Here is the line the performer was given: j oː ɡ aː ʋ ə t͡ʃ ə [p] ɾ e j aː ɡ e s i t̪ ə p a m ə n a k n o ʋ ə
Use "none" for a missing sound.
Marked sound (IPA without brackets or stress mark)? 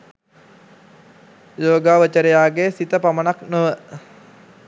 none